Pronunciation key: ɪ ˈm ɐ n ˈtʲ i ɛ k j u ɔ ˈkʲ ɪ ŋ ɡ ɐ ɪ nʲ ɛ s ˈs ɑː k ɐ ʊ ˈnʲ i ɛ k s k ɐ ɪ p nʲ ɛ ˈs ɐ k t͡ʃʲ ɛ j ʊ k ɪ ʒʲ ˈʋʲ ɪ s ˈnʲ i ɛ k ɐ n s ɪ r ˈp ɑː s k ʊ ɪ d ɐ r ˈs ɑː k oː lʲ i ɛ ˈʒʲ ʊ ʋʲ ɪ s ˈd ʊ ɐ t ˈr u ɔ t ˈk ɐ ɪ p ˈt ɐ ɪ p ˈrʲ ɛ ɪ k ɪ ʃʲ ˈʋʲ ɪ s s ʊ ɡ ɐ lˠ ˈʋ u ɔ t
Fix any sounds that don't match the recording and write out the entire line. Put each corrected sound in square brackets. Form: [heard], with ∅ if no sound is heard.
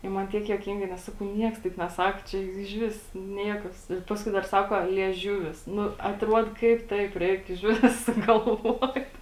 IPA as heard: ɪ ˈm ɐ n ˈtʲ i ɛ k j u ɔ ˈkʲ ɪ ŋ ɡ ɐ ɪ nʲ ɛ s ˈs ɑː k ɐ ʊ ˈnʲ i ɛ k s [t] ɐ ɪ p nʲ ɛ ˈs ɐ k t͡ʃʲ ɛ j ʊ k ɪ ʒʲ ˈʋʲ ɪ s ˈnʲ i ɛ k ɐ [∅] s ɪ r ˈp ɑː s k ʊ ɪ d ɐ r ˈs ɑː k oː lʲ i ɛ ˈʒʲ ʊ ʋʲ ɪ s [ˈn] ʊ ɐ t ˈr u ɔ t ˈk ɐ ɪ p ˈt ɐ ɪ p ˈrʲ ɛ ɪ k ɪ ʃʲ ˈʋʲ ɪ s s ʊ ɡ ɐ lˠ ˈʋ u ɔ t